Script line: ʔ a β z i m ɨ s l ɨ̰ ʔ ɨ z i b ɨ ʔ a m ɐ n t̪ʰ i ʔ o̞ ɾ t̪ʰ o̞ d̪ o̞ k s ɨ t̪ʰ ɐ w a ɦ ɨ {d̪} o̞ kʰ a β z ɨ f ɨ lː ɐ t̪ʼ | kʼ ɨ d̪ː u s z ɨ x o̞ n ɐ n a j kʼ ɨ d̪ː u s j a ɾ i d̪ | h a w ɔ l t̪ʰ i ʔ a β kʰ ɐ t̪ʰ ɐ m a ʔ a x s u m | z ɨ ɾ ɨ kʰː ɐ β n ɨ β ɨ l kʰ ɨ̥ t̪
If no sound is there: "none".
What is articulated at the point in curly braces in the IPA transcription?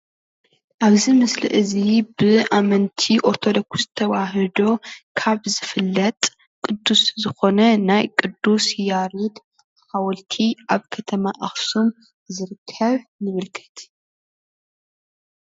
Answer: d̪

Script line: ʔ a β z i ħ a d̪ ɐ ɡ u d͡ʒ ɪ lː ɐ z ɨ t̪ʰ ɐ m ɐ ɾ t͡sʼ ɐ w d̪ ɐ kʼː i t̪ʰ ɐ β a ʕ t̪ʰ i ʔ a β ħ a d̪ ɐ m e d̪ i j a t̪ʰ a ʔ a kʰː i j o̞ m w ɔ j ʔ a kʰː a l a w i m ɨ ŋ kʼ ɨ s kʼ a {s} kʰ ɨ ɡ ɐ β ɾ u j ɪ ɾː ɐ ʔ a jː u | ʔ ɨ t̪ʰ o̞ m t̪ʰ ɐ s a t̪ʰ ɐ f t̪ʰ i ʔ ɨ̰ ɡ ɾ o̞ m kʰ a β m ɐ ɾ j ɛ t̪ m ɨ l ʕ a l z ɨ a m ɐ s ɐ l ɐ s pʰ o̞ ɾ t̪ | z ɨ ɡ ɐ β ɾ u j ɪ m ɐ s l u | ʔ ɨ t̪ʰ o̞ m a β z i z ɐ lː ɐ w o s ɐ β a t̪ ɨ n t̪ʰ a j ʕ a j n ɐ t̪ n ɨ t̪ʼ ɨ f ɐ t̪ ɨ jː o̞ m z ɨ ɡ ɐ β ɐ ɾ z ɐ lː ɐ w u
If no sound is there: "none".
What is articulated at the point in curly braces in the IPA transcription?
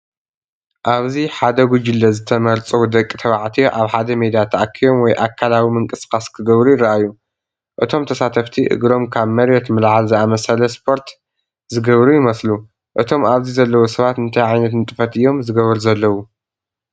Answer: s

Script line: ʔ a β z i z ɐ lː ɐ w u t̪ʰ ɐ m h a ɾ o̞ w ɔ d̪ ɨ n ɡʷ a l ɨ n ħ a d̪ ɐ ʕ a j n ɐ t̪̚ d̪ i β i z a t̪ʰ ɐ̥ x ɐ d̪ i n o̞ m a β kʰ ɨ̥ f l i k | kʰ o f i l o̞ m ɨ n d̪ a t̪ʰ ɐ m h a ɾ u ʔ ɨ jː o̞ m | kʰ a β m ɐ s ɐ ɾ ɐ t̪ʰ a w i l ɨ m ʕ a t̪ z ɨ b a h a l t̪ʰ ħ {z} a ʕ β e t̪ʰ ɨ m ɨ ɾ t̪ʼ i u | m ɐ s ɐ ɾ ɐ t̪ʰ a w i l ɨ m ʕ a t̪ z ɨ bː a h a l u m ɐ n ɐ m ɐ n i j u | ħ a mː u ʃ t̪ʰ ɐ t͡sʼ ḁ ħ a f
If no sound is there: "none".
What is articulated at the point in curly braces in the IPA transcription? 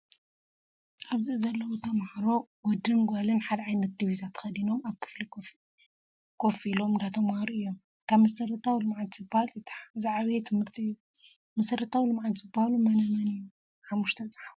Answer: z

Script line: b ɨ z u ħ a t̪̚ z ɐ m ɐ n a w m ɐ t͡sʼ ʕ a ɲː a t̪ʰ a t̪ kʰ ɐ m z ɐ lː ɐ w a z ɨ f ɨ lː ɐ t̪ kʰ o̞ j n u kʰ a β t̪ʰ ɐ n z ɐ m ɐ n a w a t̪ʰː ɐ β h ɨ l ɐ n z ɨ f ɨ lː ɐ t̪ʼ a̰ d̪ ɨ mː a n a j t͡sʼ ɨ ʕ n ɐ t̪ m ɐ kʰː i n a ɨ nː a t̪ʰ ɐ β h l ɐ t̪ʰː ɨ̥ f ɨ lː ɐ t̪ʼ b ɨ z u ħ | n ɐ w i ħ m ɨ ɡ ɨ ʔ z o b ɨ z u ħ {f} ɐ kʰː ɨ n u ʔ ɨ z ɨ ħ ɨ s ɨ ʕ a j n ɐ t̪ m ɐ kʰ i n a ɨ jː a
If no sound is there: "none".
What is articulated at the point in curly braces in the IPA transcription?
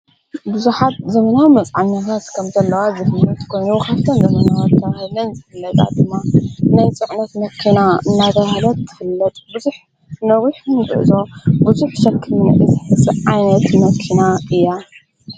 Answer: ʃ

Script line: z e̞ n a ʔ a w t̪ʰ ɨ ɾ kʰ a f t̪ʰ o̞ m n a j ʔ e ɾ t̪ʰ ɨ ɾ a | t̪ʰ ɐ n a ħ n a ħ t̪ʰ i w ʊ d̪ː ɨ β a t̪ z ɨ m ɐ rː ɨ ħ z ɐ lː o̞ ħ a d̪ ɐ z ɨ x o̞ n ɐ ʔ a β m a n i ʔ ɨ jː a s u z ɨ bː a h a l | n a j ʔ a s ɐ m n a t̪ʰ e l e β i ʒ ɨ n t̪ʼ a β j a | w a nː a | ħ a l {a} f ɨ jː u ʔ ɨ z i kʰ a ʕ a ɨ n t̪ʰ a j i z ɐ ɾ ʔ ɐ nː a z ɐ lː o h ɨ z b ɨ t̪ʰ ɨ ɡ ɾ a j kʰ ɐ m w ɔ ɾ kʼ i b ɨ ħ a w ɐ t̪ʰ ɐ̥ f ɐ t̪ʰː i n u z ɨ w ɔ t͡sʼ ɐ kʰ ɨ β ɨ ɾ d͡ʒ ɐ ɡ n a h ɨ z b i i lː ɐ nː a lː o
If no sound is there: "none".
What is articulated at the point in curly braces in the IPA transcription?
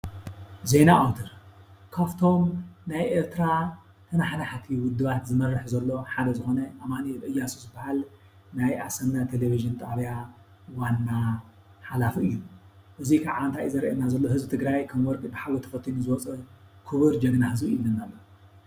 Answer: a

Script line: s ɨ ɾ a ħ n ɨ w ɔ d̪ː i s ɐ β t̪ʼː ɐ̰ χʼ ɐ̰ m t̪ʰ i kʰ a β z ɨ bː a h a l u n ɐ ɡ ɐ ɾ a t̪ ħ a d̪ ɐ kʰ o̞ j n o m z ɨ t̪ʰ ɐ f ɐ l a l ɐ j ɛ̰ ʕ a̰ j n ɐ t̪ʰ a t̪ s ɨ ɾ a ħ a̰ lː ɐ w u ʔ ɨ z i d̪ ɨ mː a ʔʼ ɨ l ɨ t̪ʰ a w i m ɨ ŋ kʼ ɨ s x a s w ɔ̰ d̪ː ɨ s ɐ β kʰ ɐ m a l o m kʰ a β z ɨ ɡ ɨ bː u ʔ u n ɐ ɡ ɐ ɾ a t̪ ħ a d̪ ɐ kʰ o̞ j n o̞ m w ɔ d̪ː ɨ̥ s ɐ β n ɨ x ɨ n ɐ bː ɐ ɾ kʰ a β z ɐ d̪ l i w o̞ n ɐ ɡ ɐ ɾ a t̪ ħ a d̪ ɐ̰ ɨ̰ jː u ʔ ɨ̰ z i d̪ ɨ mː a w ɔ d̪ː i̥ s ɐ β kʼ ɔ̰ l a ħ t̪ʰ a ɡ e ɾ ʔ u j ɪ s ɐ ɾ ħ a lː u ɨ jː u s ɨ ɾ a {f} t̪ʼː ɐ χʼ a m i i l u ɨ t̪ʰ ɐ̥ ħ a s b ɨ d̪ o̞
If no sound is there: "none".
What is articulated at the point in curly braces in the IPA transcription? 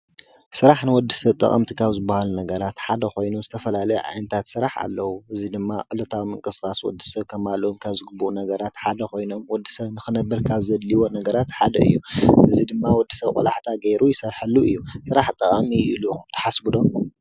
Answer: ħ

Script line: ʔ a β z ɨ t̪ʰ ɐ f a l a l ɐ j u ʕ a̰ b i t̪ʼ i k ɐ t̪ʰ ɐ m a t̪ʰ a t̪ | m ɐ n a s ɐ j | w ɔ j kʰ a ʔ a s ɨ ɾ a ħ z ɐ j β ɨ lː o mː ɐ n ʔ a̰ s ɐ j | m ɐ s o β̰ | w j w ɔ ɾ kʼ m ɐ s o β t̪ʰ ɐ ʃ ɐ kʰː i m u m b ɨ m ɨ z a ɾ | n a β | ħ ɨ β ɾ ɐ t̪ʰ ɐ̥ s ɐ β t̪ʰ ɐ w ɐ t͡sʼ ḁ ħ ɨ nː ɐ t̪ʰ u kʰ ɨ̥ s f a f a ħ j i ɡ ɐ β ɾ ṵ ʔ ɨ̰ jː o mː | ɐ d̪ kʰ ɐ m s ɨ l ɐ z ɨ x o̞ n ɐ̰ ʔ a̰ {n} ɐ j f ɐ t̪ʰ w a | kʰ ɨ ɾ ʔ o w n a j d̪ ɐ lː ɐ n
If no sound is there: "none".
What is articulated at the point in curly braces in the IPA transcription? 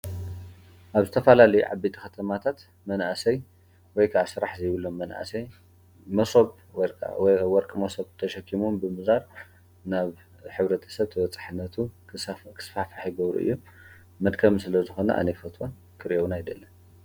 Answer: n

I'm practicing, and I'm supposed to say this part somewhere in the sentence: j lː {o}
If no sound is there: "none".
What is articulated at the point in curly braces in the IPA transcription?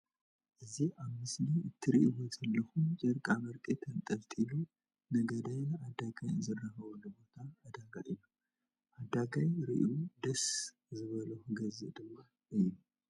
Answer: u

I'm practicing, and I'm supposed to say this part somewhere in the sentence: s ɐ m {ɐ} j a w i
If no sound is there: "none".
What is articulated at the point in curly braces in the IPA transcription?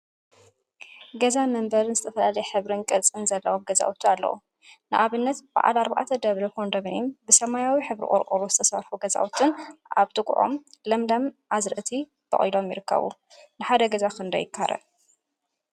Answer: a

